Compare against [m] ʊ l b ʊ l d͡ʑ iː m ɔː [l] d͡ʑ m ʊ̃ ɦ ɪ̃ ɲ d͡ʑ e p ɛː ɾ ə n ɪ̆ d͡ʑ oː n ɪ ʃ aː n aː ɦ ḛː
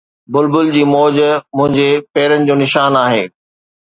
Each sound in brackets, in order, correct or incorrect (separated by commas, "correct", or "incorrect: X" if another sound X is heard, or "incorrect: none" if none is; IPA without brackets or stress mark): incorrect: b, incorrect: none